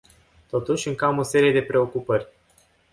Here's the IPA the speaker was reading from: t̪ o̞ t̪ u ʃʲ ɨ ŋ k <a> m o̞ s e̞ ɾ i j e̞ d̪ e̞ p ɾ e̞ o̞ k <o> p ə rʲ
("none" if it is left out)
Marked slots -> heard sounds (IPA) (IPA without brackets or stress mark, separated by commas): a, u